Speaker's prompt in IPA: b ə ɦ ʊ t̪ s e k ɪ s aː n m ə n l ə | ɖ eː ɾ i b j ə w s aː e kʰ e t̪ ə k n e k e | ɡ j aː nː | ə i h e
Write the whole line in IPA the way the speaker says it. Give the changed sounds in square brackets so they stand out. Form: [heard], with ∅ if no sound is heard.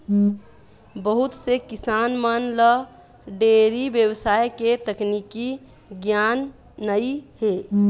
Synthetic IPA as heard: b ə ɦ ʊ t̪ s e k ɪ s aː n m ə n l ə | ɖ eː ɾ i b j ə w s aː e [k] e t̪ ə k n [i] k [i] | ɡ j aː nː | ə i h e